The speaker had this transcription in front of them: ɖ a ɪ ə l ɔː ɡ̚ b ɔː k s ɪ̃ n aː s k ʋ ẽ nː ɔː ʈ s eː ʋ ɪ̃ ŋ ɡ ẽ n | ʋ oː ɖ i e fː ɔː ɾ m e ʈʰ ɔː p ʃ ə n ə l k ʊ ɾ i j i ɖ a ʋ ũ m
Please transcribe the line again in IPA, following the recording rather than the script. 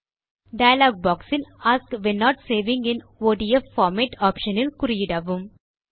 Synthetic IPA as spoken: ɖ a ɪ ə l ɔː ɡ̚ b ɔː k s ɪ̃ n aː s k ʋ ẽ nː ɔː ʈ s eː ʋ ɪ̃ ŋ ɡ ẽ n | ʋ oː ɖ i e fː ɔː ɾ m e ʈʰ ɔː p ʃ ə n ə l k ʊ ɾ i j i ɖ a ʋ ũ m

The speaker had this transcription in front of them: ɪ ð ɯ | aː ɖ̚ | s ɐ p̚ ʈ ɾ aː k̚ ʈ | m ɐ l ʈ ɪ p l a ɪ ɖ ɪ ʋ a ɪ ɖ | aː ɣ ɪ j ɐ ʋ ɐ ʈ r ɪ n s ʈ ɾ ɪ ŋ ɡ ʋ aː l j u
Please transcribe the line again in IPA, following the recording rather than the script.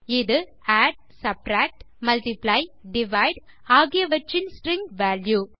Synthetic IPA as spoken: ɪ ð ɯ | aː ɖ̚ | s ɐ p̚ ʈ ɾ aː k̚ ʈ | m ɐ l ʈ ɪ p l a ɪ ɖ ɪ ʋ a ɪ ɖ | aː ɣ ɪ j ɐ ʋ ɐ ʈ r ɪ n s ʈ ɾ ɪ ŋ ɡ ʋ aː l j u

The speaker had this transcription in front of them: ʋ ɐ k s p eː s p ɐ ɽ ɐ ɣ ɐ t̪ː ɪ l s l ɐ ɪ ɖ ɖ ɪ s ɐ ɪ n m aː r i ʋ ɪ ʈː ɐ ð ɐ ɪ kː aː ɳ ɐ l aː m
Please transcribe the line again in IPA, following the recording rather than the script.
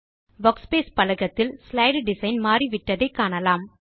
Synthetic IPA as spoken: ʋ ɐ k s p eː s p ɐ l ɐ ɣ ɐ t̪ː ɪ l s l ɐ ɪ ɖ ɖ ɪ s ɐ ɪ n m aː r i ʋ ɪ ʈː ɐ ð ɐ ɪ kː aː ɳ ɐ l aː m

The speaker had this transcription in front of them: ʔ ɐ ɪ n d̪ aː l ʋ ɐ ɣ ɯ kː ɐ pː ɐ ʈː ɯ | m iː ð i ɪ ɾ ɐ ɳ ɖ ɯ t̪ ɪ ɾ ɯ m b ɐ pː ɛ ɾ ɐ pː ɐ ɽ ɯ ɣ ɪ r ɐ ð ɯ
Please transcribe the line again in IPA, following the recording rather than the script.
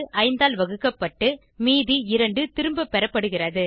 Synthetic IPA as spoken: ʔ ɐ ɪ n d̪ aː l ʋ ɐ ɣ ɯ kː ɐ pː ɐ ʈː ɯ | m iː ð i ɪ ɾ ɐ ɳ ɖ ɯ t̪ ɪ ɾ ɯ m b ɐ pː ɛ ɾ ɐ pː ɐ ɽ ɯ ɣ ɪ r ɐ ð ɯ

